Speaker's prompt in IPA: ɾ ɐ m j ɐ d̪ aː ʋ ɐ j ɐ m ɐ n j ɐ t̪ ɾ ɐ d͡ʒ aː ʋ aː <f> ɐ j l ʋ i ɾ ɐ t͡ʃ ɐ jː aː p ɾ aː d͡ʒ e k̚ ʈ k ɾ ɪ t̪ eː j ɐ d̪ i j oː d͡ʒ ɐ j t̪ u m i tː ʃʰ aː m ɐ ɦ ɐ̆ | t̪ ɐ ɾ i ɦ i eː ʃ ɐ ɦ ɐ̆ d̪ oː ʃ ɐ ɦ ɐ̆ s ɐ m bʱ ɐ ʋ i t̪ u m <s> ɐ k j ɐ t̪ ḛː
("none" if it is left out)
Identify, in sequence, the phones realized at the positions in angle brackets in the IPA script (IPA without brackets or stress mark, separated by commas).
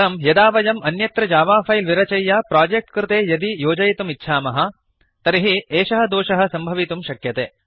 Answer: f, ʃ